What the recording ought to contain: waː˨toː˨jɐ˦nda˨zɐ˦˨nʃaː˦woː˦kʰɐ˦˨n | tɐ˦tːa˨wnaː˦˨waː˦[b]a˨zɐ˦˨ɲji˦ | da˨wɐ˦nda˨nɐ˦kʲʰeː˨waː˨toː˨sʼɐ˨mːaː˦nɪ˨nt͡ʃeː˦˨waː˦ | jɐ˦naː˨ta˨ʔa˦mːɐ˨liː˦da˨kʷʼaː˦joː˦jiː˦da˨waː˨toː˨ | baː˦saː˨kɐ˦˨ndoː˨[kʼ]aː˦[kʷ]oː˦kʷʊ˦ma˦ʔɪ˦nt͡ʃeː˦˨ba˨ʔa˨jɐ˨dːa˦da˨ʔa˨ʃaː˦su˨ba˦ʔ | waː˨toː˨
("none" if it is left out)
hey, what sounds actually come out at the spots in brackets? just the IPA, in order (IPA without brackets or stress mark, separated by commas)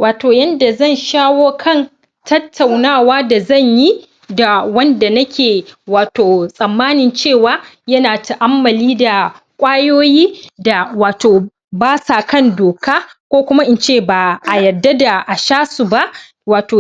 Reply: d, k, kʷ